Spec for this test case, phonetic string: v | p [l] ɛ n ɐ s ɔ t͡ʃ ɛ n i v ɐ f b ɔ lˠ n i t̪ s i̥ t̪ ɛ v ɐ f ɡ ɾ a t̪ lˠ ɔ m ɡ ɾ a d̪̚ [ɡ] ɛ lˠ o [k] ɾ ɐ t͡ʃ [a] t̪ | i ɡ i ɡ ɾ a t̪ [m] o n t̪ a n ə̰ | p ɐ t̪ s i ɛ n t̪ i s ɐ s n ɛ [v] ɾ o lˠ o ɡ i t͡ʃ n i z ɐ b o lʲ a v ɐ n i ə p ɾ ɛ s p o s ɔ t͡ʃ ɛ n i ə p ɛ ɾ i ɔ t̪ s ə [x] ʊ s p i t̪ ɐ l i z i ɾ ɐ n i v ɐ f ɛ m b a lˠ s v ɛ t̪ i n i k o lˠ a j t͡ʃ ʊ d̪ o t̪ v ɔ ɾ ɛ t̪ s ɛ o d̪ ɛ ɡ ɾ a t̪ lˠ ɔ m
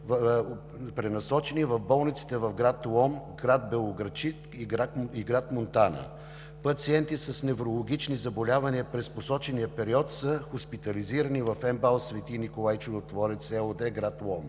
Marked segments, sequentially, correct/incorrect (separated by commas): incorrect, incorrect, incorrect, incorrect, correct, correct, correct